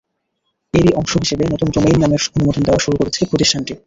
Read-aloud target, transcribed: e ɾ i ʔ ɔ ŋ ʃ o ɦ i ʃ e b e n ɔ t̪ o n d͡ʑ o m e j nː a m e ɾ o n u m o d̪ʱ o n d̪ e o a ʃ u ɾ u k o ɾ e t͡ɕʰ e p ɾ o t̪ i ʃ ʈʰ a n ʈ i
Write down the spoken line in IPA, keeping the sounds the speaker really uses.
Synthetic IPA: e ɾ i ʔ ɔ ŋ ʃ o ɦ i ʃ e b e n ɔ t̪ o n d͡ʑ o m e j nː a m e ɾ o n u m o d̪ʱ o n d̪ e o a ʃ u ɾ u k o ɾ e t͡ɕʰ e p ɾ o t̪ i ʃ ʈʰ a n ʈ i